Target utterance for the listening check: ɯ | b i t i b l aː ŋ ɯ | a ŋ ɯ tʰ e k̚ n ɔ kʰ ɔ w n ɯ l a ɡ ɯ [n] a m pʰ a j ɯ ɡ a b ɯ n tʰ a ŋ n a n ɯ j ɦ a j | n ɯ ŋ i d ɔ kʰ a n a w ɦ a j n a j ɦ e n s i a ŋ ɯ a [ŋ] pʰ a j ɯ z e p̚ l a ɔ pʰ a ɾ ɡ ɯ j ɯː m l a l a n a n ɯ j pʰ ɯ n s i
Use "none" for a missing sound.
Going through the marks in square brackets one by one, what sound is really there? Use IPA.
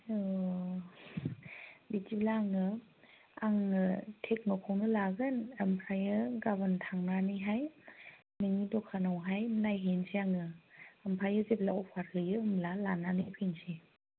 n, m

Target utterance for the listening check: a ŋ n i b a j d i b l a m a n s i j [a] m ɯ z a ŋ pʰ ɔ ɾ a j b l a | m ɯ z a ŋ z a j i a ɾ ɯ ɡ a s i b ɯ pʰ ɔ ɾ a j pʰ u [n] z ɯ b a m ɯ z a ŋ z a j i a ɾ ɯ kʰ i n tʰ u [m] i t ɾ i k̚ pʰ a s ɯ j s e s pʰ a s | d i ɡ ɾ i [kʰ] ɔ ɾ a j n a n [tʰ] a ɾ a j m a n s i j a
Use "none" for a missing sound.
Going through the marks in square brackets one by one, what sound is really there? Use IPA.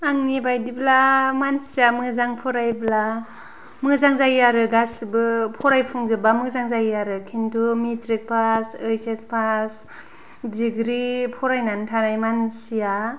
a, ŋ, m, pʰ, tʰ

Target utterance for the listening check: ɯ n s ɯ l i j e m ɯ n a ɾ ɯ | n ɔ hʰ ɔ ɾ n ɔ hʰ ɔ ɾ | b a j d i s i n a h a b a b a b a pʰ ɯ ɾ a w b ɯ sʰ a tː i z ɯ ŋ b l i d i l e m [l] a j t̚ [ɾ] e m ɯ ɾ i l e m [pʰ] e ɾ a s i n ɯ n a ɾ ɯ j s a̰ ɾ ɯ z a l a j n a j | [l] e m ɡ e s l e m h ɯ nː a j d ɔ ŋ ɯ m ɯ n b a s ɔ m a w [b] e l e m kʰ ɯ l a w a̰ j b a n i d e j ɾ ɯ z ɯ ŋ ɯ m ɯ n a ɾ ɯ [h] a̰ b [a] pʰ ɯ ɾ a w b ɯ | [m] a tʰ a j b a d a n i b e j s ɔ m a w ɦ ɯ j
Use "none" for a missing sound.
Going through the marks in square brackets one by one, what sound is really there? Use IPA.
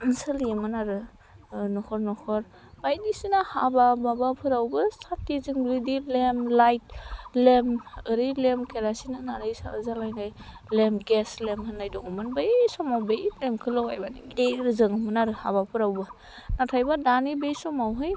l, l, kʰ, l, b, h, a, n

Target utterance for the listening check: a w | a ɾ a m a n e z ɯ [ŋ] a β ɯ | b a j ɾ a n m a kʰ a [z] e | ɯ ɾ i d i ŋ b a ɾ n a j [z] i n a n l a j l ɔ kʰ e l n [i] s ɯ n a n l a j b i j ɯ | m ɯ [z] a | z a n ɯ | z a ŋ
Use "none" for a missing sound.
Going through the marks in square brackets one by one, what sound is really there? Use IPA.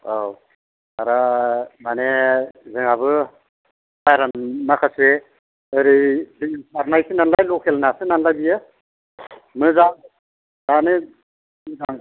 ŋ, s, s, a, z

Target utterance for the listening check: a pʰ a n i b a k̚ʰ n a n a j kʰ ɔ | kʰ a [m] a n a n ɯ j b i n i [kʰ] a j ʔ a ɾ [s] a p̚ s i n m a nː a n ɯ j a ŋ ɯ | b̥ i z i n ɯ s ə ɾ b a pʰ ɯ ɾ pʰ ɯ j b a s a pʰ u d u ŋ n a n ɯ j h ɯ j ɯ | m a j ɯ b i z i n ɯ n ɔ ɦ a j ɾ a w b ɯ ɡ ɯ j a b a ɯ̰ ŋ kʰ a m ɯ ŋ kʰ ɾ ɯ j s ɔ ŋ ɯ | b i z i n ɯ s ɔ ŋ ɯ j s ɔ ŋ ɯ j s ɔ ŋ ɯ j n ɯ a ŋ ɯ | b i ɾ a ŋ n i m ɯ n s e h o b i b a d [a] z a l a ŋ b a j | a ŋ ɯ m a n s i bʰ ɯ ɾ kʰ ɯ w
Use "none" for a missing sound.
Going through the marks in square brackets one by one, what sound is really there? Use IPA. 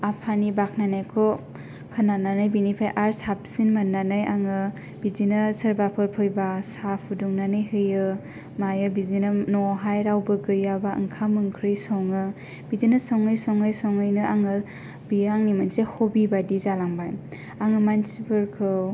n, pʰ, s, i

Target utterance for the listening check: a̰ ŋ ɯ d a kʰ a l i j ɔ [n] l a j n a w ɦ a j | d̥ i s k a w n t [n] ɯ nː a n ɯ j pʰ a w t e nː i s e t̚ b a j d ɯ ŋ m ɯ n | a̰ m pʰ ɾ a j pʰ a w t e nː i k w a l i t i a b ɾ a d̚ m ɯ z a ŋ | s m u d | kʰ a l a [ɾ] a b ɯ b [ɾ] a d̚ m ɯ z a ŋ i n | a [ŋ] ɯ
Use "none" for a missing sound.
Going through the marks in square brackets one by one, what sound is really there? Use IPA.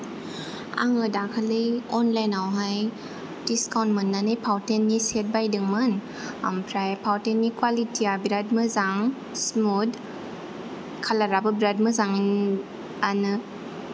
n, m, ɾ, ɾ, n

